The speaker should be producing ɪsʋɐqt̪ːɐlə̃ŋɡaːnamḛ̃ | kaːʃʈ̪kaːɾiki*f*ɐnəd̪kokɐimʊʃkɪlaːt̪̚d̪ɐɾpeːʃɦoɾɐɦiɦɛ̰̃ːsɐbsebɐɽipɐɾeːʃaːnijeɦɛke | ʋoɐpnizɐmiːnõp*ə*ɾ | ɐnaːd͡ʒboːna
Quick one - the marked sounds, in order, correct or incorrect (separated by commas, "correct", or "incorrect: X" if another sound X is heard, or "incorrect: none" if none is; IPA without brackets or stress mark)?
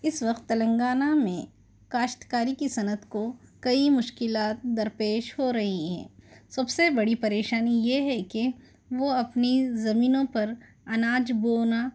incorrect: s, incorrect: ɐ